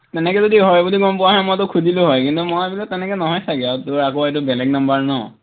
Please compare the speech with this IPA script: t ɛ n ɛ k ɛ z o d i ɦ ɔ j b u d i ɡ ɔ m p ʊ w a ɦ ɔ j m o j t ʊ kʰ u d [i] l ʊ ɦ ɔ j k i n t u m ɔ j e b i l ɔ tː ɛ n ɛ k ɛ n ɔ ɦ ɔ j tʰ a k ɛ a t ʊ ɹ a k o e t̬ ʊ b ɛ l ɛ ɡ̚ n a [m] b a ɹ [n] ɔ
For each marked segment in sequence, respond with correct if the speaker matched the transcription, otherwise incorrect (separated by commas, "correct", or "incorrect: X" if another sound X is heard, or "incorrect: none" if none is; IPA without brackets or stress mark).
correct, correct, correct